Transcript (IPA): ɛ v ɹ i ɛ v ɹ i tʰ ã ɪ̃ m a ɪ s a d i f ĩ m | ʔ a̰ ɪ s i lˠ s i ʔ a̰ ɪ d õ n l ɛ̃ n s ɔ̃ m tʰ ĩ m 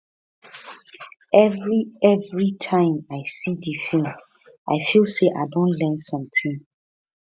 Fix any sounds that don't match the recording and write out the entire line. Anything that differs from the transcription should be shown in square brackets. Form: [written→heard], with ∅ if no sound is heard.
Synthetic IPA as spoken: ɛ v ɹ i ɛ v ɹ i tʰ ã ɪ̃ m a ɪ s [a→i] d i f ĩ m | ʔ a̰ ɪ [s→f] i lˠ s [i→e] ʔ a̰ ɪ d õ n l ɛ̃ n s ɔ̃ m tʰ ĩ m